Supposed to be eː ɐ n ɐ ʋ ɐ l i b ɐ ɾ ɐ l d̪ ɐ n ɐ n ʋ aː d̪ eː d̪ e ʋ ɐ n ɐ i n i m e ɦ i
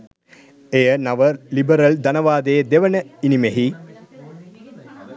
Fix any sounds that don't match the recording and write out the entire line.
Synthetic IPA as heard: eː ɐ n ɐ ʋ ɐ l i b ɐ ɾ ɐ l d̪ ɐ n ɐ ʋ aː d̪ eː d̪ e ʋ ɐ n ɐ i n i m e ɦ i